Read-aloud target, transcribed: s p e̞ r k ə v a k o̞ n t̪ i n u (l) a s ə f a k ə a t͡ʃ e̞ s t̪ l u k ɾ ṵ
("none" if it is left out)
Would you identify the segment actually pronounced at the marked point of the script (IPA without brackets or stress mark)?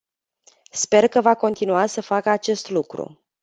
none